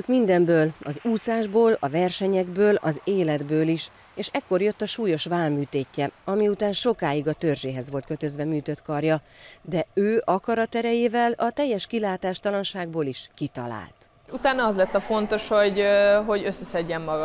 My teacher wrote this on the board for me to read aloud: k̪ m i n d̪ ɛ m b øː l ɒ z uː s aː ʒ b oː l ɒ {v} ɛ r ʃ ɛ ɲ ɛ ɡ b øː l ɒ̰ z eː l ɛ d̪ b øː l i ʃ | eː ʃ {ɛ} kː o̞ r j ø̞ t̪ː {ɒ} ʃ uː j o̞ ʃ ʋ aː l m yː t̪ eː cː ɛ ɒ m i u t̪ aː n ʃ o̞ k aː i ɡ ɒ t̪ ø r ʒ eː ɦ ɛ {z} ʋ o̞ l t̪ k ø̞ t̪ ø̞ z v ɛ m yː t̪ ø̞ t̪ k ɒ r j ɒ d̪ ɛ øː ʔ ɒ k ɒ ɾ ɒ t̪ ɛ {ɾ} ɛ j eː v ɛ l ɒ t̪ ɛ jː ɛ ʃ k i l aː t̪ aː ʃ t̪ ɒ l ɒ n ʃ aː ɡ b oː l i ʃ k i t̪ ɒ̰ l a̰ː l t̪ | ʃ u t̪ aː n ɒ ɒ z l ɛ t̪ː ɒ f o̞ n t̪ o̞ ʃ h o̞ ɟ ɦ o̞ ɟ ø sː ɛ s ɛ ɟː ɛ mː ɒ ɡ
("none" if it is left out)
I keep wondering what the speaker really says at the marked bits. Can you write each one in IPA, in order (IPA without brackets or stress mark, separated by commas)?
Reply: v, ɛ, ɒ, z, ɾ